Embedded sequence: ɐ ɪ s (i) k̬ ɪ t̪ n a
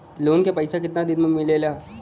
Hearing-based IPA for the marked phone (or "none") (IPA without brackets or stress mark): a